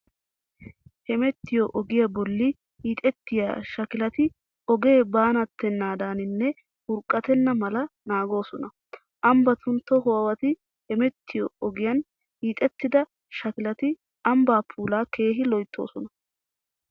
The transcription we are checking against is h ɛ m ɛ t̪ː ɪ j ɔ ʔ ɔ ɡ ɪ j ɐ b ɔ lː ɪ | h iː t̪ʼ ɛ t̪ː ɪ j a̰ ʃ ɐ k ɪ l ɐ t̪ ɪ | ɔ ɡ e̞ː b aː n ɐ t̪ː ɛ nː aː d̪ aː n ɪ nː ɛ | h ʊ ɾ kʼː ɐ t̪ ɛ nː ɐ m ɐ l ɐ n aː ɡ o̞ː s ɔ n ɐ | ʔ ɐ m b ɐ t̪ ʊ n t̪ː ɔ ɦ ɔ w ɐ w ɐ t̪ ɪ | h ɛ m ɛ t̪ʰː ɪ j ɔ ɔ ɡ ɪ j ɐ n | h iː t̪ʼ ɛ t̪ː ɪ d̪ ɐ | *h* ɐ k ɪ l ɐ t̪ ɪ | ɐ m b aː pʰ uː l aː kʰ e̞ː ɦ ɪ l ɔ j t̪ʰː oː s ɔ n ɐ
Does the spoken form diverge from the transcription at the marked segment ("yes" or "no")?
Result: yes